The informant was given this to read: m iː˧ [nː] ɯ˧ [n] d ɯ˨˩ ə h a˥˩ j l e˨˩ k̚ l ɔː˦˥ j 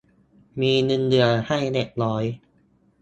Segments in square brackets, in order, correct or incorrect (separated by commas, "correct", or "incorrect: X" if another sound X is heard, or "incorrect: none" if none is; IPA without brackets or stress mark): incorrect: n, correct